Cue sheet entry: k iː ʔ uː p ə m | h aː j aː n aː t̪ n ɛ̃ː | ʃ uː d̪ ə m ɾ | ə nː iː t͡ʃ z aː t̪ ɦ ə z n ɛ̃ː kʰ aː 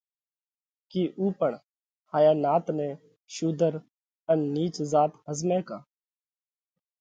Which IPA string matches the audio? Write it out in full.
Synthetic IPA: k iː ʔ uː p ə ɳ | h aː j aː n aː t̪ n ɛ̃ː | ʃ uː d̪ ə ɾ | ə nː iː t͡ʃ z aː t̪ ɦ ə z m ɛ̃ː k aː